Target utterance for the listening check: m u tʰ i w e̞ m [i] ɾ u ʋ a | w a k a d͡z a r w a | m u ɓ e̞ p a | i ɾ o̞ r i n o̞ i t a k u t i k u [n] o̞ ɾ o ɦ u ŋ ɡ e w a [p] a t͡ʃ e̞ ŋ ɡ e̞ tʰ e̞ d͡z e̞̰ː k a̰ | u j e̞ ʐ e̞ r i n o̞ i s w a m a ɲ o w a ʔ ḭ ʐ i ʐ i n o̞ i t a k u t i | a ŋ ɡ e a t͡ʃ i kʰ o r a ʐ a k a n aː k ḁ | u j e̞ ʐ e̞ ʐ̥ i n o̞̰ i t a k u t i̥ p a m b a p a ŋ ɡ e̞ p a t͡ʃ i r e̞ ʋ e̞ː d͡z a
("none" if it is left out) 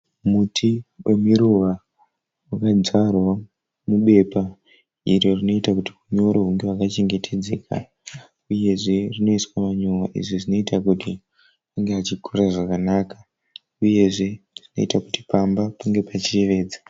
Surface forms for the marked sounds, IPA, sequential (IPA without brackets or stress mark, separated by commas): i, ɲ, k